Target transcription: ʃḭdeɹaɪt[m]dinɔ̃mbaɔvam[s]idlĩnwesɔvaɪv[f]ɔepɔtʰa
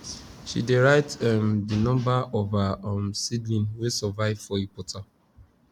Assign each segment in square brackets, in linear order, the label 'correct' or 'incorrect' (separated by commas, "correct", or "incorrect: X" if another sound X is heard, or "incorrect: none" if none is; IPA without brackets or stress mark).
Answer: correct, correct, correct